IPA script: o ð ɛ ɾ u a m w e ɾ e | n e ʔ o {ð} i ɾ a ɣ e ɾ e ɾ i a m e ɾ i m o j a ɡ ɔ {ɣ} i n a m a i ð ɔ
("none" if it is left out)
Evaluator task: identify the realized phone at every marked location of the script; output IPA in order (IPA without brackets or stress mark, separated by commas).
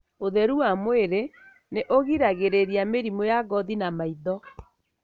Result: ɣ, ð